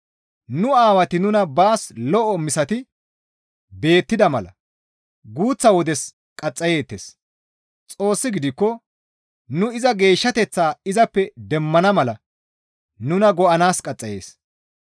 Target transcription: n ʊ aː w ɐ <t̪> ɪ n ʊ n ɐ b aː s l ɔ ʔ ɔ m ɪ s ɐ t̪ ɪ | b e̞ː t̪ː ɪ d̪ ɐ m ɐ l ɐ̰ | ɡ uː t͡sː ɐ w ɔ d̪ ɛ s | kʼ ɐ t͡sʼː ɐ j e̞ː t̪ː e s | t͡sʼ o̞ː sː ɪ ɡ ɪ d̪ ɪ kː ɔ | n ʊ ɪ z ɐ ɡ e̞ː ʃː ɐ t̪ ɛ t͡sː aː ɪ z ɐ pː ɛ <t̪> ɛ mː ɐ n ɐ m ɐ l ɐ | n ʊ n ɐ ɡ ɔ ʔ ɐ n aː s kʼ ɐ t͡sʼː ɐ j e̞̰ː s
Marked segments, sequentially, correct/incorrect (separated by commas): correct, incorrect